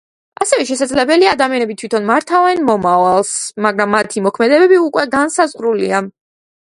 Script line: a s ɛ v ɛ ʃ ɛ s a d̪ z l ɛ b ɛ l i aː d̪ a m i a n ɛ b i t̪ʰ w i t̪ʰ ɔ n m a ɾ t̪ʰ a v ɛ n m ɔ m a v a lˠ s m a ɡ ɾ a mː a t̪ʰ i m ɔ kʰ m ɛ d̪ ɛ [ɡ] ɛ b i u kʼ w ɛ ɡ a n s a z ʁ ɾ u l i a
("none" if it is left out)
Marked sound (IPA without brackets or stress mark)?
b